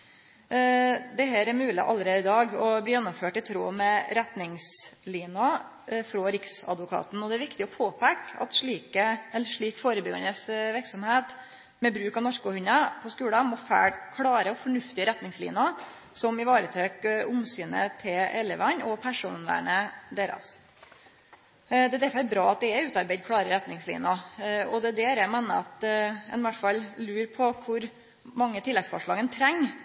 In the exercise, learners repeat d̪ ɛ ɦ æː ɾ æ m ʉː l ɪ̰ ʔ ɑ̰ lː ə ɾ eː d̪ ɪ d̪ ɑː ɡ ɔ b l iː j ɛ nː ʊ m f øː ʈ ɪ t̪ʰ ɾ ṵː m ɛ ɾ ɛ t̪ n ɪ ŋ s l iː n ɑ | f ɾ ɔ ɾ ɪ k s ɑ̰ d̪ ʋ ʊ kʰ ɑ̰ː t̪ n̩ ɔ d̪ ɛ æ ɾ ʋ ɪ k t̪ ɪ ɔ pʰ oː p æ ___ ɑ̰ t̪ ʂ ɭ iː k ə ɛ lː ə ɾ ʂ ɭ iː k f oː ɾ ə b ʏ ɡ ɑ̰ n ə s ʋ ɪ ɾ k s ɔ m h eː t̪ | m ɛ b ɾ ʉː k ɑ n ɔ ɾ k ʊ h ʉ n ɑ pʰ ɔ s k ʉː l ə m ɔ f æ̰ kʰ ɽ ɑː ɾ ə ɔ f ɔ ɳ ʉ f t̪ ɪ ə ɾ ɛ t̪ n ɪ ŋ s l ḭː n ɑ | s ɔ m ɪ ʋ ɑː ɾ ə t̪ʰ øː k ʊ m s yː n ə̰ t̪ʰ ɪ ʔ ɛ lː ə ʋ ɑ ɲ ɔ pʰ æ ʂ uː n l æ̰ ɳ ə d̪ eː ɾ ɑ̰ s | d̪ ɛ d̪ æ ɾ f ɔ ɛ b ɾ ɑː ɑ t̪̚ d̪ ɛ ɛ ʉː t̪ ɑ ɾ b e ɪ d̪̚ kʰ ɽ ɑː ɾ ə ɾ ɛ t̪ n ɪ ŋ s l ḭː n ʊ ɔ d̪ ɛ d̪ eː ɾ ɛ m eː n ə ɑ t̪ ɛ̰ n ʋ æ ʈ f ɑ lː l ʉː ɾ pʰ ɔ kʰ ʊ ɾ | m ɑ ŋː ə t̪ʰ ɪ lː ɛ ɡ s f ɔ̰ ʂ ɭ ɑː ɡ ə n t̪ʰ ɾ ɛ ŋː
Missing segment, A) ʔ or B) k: B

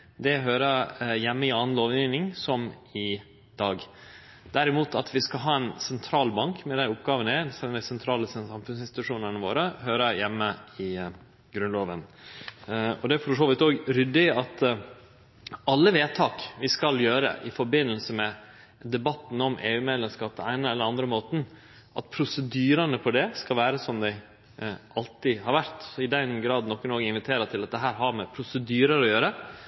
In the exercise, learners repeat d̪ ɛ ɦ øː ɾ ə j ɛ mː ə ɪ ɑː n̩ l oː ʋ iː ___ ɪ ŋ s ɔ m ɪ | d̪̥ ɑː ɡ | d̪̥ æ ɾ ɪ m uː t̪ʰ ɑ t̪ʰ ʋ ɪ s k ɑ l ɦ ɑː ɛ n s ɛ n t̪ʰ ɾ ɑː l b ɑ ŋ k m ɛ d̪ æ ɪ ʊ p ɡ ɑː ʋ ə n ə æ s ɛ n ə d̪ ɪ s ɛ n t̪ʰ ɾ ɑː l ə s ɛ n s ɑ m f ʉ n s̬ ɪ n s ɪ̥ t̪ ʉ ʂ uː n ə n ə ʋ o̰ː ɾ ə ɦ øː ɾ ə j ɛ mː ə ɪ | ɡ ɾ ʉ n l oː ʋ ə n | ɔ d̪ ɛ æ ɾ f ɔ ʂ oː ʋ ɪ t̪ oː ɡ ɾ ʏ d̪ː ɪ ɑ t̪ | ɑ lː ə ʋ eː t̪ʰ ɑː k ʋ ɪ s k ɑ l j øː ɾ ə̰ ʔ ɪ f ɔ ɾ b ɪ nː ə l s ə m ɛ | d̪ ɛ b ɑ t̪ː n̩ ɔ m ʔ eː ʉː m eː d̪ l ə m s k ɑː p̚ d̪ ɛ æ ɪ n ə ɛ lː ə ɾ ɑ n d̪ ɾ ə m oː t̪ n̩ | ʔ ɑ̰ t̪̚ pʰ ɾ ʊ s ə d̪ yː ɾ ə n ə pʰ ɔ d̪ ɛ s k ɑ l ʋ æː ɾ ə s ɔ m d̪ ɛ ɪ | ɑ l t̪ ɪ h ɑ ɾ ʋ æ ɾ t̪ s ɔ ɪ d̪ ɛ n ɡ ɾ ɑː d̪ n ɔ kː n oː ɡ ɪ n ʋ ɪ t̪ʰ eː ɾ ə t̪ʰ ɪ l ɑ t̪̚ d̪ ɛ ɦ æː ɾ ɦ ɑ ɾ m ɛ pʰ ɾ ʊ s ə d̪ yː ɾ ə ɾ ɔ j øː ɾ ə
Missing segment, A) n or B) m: A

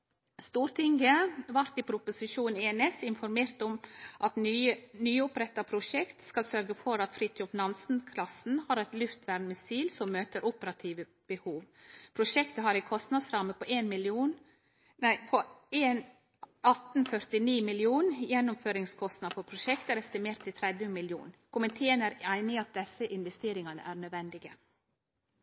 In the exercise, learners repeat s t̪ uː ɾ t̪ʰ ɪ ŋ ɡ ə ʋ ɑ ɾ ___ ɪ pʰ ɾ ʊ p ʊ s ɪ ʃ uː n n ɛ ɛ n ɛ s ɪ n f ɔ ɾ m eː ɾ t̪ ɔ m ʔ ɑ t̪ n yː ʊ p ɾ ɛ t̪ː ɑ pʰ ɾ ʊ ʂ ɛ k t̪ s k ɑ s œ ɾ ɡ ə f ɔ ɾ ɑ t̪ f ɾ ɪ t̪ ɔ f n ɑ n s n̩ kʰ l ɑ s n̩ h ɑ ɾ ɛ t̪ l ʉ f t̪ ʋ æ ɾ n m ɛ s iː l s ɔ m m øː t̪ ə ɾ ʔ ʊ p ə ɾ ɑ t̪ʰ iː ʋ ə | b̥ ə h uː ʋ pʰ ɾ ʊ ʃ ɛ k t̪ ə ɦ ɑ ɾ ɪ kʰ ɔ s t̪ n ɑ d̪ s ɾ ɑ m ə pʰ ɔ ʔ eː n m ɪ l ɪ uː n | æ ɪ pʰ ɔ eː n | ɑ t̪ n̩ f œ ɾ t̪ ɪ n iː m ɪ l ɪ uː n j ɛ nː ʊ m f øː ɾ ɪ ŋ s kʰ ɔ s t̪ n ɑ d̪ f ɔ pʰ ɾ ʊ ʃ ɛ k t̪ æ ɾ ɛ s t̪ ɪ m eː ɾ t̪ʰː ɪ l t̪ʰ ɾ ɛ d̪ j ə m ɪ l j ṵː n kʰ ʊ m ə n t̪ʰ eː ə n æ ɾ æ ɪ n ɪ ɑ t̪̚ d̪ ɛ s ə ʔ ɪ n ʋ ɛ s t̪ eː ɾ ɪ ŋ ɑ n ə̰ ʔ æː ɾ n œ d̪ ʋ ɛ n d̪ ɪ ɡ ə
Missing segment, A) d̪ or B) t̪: B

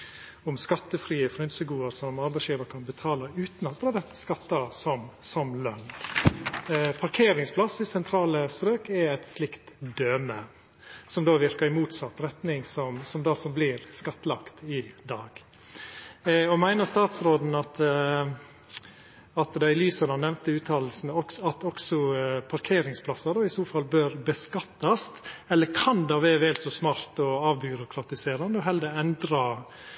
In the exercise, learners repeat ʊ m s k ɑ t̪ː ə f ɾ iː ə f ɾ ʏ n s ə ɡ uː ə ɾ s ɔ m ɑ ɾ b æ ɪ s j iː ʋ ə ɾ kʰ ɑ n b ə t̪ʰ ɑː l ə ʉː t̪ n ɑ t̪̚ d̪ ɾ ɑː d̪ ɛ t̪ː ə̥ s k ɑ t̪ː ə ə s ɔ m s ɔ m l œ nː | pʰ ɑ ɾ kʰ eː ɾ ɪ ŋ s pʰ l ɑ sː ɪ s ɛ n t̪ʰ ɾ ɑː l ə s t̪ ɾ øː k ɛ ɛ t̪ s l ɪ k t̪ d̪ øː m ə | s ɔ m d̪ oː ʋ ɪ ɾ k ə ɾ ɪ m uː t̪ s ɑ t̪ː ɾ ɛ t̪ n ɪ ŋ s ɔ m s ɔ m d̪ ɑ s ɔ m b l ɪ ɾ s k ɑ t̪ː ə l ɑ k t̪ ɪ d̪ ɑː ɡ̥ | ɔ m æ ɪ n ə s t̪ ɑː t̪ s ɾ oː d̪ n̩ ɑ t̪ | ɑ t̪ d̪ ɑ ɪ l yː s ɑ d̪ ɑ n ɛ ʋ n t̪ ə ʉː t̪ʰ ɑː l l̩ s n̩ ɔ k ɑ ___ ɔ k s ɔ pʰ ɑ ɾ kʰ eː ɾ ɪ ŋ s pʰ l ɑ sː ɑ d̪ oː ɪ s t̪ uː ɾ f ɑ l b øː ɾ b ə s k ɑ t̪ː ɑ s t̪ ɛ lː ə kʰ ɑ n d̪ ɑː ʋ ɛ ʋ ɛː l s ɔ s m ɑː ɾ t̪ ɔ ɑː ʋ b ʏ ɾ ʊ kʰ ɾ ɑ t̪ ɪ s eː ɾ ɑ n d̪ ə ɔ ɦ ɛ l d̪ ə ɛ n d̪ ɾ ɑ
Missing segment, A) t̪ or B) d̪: A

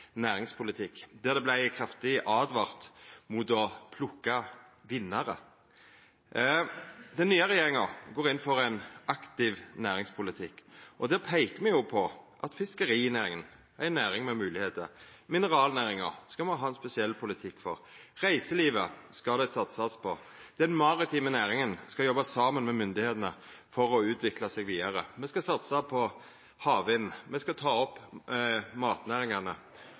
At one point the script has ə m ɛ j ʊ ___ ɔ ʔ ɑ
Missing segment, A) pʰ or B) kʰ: A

